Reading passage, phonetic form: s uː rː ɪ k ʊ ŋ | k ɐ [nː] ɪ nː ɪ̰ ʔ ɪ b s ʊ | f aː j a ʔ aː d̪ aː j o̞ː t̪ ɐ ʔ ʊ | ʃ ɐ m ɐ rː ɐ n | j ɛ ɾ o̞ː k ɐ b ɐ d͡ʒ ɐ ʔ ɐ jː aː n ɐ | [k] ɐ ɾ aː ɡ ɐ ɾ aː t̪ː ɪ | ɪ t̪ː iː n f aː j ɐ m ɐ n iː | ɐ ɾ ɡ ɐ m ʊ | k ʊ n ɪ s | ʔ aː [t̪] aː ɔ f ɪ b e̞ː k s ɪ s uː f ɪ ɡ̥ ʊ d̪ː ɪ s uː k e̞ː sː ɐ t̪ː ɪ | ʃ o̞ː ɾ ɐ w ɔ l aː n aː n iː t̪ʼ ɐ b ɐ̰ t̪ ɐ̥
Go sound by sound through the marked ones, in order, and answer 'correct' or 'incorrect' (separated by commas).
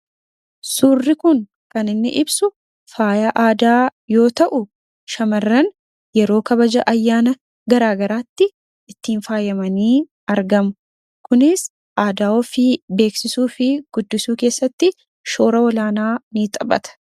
incorrect, incorrect, incorrect